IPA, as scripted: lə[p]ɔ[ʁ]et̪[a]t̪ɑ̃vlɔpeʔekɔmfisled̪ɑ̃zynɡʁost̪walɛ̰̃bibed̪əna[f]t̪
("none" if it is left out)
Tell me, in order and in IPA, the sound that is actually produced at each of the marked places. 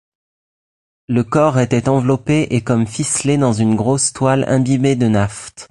k, ʁ, ɛ, f

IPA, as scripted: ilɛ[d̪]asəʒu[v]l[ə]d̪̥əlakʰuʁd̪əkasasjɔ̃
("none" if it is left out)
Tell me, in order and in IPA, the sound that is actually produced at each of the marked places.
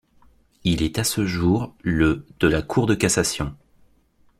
t̪, ʁ, ə

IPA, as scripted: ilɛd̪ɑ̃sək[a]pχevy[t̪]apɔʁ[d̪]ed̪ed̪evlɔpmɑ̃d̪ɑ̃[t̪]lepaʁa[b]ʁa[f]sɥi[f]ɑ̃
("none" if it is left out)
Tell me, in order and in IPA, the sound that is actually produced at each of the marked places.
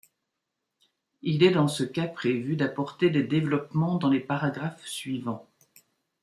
a, d̪, t̪, none, ɡ, f, v

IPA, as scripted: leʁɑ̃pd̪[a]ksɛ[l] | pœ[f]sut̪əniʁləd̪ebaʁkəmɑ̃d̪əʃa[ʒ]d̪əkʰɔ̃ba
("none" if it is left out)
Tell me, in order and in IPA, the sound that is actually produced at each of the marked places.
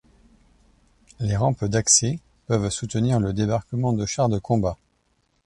a, none, v, ʁ

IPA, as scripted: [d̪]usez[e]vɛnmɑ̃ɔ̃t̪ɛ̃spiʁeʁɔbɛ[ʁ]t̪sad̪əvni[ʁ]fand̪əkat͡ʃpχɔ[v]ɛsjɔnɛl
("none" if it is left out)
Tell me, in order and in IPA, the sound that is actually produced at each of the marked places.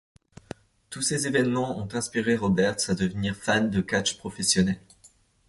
t̪, e, ʁ, ʁ, f

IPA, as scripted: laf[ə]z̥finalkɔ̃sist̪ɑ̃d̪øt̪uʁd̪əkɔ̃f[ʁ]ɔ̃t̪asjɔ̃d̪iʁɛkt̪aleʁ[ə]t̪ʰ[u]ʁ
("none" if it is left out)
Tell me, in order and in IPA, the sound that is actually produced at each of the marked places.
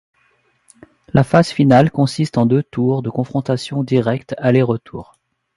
a, χ, ə, uː

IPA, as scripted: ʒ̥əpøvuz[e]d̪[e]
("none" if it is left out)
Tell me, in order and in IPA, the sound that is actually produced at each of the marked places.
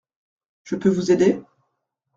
e, e

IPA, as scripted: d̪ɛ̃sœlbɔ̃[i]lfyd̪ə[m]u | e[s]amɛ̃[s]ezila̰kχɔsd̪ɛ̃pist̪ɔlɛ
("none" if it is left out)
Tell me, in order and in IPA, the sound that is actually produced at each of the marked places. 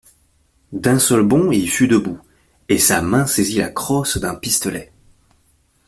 i, b, s, s

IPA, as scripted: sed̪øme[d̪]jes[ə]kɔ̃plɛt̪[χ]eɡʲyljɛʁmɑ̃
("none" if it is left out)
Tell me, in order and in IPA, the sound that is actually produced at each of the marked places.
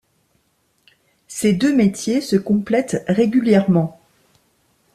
t̪, ə, ʁ

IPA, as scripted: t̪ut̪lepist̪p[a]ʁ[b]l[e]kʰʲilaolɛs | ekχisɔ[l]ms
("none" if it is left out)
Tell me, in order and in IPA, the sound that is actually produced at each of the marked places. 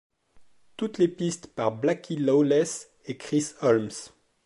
a, b, a, l

